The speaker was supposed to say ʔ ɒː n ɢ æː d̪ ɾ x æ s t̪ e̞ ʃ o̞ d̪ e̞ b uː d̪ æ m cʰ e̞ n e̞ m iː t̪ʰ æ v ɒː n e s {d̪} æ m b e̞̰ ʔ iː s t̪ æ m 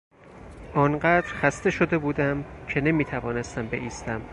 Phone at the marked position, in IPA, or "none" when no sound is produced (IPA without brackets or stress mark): t̪